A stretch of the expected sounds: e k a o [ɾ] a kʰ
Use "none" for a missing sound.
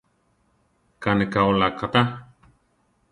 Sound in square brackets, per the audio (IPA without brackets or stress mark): l